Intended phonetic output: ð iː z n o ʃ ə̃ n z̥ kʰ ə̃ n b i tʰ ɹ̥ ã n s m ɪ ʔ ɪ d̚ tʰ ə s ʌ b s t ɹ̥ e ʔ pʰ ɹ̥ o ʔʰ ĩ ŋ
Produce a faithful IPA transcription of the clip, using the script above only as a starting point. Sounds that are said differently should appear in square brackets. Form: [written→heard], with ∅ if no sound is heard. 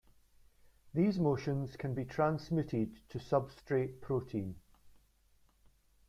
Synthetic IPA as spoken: ð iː z [n→m] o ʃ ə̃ n z̥ kʰ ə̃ n b i tʰ ɹ̥ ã n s m ɪ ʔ ɪ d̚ tʰ ə s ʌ b s t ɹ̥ e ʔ pʰ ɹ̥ o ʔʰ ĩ [ŋ→n]